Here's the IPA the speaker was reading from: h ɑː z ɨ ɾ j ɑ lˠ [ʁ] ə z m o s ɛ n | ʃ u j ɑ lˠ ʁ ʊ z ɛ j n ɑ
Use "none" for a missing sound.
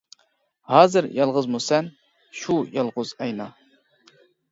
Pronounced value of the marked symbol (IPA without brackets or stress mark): ʁ